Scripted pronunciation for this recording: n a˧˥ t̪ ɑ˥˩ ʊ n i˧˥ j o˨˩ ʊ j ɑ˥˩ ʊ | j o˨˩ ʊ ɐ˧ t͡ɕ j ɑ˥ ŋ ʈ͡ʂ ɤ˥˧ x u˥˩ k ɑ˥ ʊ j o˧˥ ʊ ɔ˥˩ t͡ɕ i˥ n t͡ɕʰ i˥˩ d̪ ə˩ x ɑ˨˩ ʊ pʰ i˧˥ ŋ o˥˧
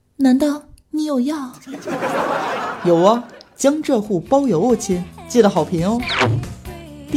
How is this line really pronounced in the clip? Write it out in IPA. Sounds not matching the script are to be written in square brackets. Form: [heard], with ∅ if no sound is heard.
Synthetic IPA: n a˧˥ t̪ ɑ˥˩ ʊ n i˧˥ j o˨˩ ʊ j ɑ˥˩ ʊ | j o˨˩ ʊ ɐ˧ t͡ɕ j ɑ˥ ŋ ʈ͡ʂ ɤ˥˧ x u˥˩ [p] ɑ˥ ʊ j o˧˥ ʊ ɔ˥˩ [t͡ɕʰ] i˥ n [t͡ɕ] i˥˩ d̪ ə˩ x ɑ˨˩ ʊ pʰ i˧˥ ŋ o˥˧